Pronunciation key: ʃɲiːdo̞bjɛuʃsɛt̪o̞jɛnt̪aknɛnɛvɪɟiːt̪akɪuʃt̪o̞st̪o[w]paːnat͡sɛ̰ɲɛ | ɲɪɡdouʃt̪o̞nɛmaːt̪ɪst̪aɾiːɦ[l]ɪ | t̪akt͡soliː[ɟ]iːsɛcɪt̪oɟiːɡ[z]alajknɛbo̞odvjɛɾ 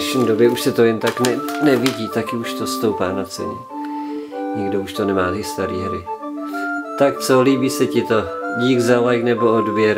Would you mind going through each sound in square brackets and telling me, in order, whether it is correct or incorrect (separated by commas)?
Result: correct, incorrect, incorrect, correct